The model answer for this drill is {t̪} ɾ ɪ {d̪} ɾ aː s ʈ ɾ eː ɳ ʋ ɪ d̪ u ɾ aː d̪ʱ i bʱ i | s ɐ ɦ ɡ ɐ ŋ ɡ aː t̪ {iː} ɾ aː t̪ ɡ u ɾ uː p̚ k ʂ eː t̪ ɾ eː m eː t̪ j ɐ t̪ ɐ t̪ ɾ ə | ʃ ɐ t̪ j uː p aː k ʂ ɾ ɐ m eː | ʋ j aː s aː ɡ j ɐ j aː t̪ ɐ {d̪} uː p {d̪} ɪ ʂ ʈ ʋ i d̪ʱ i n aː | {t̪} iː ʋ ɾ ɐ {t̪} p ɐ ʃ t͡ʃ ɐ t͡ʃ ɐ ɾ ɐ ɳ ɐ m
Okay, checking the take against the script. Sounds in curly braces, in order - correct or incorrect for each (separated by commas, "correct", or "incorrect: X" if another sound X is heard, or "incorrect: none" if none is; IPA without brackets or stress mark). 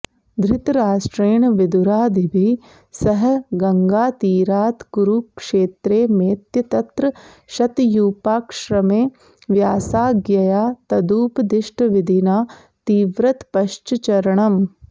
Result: incorrect: d̪, incorrect: t̪, correct, correct, correct, correct, correct